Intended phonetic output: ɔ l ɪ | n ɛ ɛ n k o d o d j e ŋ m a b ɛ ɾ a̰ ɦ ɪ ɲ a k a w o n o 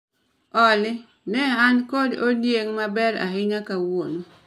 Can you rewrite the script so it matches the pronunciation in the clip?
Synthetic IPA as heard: ɔ l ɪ | n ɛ a n k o d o d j e ŋ m a b ɛ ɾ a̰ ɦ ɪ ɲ a k a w o n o